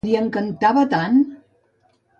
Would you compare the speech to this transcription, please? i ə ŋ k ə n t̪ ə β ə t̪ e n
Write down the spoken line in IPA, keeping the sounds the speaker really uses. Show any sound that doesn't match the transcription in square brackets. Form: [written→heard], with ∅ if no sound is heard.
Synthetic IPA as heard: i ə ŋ k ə n t̪ [ə→a] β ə t̪ [e→a] n